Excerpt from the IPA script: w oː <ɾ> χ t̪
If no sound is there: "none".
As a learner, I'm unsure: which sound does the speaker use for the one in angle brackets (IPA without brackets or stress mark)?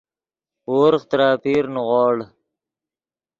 ɾ